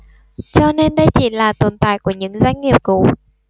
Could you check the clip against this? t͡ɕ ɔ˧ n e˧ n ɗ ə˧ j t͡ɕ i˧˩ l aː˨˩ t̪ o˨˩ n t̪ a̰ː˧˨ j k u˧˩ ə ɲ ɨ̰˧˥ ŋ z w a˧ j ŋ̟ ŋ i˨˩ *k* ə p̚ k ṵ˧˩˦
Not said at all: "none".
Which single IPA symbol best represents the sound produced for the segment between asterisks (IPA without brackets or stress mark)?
none